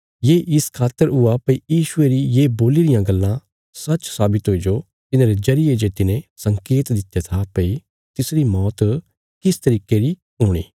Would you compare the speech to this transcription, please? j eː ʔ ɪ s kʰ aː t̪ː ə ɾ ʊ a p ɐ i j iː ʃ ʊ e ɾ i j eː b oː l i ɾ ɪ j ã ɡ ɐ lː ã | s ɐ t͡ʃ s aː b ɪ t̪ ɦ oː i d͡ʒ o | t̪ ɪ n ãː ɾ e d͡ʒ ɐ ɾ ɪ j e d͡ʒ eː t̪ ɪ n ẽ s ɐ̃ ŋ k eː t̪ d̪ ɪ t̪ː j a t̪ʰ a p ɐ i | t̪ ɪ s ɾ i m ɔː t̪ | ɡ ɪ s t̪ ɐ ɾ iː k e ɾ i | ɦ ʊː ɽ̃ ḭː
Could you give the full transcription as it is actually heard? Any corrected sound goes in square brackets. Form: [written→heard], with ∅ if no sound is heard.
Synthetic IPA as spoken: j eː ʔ ɪ s kʰ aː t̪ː ə ɾ ʊ a p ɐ i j iː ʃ ʊ e ɾ i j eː b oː l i ɾ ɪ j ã ɡ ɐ lː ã | s ɐ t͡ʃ s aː b ɪ t̪ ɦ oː i d͡ʒ o | t̪ ɪ n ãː ɾ e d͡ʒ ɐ ɾ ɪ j e d͡ʒ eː t̪ ɪ n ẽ s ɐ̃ ŋ k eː t̪ d̪ ɪ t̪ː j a t̪ʰ a p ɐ i | t̪ ɪ s ɾ i m ɔː t̪ | [ɡ→k] ɪ s t̪ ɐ ɾ iː k e ɾ i | ɦ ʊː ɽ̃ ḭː